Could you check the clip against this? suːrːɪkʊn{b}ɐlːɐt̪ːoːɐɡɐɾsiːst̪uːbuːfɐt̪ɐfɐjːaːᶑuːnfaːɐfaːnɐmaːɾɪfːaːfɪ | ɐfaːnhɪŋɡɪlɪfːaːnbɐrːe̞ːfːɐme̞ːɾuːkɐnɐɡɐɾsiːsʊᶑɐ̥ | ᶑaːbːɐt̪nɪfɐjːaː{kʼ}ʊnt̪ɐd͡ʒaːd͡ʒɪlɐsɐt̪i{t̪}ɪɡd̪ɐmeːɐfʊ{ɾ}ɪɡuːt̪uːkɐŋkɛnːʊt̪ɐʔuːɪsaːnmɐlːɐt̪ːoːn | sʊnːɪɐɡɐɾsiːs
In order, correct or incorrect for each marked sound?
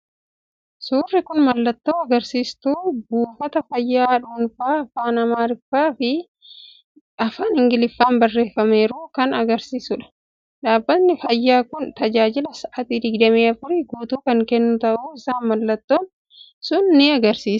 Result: incorrect, incorrect, incorrect, correct

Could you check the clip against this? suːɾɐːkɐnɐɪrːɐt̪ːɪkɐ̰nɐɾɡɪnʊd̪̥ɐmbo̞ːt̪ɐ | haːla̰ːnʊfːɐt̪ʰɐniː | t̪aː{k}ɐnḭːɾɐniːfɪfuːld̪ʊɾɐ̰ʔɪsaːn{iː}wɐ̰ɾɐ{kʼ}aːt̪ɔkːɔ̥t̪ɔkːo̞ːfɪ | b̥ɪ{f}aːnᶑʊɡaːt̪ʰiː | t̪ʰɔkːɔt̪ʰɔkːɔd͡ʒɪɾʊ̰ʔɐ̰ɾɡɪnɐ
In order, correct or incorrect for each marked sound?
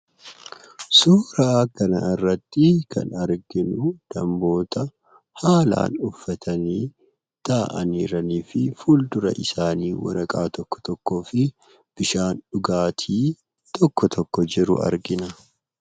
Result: incorrect, correct, correct, incorrect

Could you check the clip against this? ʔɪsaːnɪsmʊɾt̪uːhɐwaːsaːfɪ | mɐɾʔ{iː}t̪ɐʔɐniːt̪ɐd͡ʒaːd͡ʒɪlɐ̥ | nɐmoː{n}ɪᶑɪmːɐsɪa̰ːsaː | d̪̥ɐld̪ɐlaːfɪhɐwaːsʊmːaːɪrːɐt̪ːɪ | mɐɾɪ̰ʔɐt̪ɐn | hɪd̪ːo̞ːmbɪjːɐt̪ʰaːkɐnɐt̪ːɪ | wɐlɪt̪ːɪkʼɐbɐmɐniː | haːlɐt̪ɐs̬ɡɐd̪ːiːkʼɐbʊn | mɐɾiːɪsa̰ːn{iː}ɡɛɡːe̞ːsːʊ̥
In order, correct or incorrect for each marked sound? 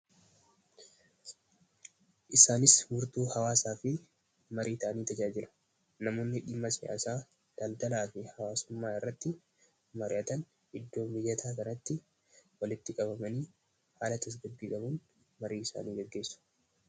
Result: correct, incorrect, correct

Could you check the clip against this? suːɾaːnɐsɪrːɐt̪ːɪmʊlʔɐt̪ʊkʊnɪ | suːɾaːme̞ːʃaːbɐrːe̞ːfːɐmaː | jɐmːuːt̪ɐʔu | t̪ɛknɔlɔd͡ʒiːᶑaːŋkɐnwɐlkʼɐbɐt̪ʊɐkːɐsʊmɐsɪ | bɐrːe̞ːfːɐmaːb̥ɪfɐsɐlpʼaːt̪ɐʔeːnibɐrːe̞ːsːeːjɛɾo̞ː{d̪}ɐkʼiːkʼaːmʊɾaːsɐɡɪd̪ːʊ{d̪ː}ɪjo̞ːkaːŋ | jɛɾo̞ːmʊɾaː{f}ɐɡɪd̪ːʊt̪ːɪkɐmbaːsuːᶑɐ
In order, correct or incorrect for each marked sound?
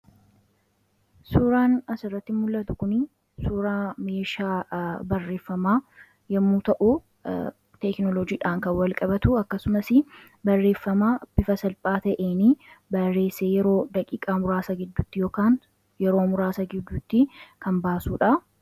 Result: correct, incorrect, incorrect

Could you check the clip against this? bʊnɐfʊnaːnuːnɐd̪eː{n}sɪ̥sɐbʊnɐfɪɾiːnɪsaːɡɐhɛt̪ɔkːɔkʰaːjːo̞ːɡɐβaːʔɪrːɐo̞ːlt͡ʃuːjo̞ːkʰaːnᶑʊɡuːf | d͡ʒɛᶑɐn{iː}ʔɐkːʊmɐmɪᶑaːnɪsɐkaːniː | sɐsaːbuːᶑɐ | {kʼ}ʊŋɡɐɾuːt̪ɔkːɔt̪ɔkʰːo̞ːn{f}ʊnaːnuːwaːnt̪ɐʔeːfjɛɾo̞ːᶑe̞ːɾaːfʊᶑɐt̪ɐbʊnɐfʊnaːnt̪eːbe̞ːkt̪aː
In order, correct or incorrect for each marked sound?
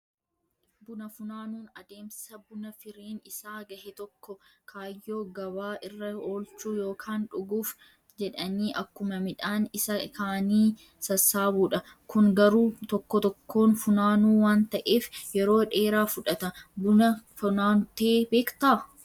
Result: incorrect, correct, incorrect, correct

